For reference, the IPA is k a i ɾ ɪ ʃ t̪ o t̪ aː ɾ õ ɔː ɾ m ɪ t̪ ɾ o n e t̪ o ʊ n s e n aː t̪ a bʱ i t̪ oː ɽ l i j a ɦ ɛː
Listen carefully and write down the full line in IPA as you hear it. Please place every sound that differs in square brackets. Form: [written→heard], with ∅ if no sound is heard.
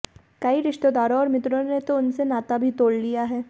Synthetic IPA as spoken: k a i ɾ ɪ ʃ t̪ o [t̪→d̪] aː ɾ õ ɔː ɾ m ɪ t̪ ɾ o n e t̪ o ʊ n s e n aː t̪ a bʱ i t̪ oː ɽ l i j a ɦ ɛː